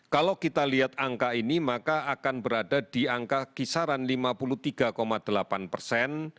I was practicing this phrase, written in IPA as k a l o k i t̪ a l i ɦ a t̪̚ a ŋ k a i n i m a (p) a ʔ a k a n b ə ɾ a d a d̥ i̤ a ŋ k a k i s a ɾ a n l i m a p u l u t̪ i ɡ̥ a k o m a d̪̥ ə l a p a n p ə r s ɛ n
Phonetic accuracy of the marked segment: incorrect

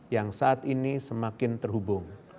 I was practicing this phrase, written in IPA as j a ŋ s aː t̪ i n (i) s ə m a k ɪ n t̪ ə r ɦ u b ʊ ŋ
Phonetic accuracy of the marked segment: correct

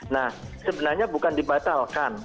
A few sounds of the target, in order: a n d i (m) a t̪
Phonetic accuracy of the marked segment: incorrect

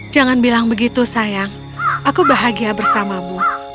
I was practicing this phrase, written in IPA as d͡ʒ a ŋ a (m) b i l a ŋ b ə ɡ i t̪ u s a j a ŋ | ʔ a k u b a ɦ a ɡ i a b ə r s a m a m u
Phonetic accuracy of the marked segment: incorrect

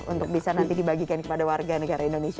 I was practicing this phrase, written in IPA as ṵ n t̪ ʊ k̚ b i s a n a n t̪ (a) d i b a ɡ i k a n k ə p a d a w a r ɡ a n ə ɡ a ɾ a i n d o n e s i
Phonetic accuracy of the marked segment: incorrect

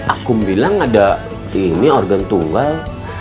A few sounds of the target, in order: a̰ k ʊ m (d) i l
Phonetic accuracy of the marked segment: incorrect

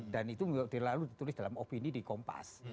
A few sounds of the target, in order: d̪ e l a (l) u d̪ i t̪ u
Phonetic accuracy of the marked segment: correct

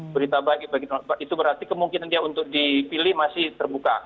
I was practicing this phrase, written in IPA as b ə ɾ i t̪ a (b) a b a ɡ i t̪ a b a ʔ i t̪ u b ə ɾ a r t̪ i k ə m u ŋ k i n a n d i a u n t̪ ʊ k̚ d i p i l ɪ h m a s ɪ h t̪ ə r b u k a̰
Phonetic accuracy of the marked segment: correct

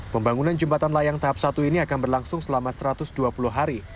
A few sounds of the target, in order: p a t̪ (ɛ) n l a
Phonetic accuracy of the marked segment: incorrect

